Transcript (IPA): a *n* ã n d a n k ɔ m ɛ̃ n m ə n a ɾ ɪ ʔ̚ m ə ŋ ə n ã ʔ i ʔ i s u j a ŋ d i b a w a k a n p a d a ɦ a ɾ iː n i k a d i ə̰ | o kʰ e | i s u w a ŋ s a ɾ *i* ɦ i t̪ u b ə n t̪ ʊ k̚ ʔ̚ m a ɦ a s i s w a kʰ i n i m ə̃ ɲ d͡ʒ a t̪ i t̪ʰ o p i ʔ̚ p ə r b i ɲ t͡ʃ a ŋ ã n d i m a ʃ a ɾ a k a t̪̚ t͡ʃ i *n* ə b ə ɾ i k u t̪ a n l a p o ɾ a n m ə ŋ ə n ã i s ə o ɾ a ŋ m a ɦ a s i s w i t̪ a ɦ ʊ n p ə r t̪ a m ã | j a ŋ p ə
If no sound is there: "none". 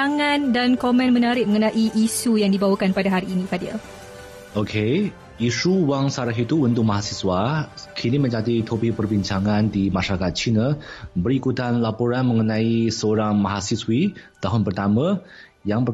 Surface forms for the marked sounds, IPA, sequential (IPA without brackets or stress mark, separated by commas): ŋ, a, n